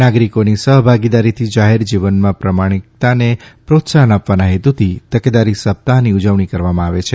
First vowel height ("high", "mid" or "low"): low